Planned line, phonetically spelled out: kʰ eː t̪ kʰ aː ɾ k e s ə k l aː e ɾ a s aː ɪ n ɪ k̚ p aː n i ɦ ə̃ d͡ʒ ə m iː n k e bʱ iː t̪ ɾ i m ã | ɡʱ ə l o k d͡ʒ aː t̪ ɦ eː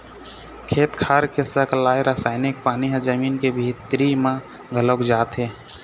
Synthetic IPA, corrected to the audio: kʰ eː t̪ kʰ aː ɾ k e s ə k l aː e ɾ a s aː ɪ n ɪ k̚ p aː n i ɦ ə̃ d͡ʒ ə m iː n k e bʱ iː t̪ ɾ i m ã | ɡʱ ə l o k d͡ʒ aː t̪ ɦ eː

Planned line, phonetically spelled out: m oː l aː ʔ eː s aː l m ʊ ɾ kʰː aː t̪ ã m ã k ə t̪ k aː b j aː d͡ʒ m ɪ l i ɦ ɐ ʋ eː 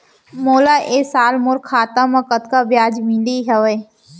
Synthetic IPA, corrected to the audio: m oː l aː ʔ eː s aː l m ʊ ɾ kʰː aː t̪ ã m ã k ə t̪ k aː b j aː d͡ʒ m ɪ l i ɦ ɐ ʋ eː

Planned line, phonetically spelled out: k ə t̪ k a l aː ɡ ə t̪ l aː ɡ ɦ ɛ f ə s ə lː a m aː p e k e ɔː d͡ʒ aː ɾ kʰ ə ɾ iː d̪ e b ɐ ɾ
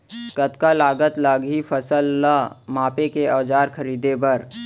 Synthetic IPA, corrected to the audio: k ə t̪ k a l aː ɡ ə t̪ l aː ɡ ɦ i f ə s ə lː a m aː p e k e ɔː d͡ʒ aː ɾ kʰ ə ɾ iː d̪ e b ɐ ɾ

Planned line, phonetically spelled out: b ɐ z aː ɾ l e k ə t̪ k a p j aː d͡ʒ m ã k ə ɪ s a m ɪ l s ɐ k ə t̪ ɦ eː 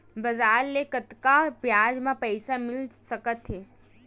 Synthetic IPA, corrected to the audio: b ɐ z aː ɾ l e k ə t̪ k a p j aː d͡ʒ m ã p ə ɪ s a m ɪ l s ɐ k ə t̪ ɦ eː

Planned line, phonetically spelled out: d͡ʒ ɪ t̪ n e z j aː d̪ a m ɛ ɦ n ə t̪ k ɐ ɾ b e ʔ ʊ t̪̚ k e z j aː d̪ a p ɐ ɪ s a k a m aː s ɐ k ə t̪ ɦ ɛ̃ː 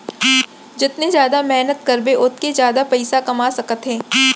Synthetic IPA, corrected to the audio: d͡ʒ ɪ t̪ n e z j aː d̪ a m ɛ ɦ n ə t̪ k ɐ ɾ b e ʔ ʊ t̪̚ k e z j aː d̪ a p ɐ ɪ s a k ɐ m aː s ɐ k ə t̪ ɦ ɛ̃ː

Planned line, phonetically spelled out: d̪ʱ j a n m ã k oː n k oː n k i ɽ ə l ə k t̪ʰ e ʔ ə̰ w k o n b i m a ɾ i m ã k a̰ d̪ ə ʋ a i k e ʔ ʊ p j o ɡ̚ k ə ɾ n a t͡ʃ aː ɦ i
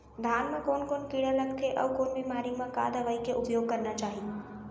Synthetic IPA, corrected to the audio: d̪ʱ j a n m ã k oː n k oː n k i ɽ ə l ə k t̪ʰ e ʔ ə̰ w k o n b i m a ɾ i m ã k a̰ d̪ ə ʋ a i k e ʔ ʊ p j o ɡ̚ k ə ɾ n a t͡ʃ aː ɦ i

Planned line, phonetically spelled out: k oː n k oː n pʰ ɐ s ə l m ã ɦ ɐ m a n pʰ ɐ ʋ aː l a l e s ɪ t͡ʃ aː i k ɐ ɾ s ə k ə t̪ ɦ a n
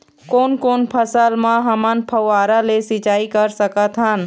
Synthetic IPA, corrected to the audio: k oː n k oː n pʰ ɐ s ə l m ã ɦ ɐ m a n pʰ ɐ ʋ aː ɾ a l e s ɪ t͡ʃ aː i k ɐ ɾ s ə k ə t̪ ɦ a n

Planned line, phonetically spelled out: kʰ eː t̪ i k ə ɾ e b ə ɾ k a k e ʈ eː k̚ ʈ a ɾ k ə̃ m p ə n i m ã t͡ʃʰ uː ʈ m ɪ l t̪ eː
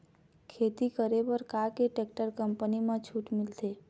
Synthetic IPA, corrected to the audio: kʰ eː t̪ i k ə ɾ e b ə ɾ k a k e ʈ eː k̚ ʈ ə ɾ k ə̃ m p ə n i m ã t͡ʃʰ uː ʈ m ɪ l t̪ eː

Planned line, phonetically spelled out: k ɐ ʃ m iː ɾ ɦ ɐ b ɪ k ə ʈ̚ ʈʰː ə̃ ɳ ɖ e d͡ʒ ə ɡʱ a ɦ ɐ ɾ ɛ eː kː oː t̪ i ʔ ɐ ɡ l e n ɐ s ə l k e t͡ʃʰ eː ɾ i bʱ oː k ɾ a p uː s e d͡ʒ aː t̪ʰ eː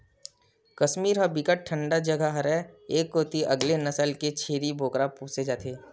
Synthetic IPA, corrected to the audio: k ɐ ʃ m iː ɾ ɦ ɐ b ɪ k ə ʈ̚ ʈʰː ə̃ ɳ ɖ a d͡ʒ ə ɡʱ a ɦ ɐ ɾ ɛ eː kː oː t̪ i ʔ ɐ ɡ l e n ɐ s ə l k e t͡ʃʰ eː ɾ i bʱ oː k ɾ a p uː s e d͡ʒ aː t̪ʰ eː

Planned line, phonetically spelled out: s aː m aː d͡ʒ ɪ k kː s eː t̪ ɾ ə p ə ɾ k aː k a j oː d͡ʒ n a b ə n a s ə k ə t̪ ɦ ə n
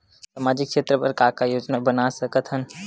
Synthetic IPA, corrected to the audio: s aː m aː d͡ʒ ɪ k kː ʃ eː t̪ ɾ ə p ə ɾ k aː k a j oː d͡ʒ n a b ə n a s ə k ə t̪ ɦ ə n

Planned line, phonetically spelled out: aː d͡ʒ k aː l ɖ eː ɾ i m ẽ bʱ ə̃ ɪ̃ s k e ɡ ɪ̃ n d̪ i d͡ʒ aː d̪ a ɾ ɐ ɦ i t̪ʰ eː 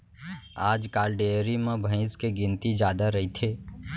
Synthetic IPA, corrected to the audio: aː d͡ʒ k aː l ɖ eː ɾ i m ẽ bʱ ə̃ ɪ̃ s k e ɡ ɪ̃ n t̪ i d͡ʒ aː d̪ a ɾ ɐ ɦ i t̪ʰ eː

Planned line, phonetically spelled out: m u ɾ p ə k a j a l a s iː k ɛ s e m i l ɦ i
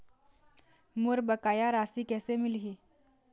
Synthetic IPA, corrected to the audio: m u ɾ b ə k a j a ɾ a s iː k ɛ s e m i l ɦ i

